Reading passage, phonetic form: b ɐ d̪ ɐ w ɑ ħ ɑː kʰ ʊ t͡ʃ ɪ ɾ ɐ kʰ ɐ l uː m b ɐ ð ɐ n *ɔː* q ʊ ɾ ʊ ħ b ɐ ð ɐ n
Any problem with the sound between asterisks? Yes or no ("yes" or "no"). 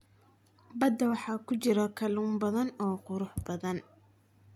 no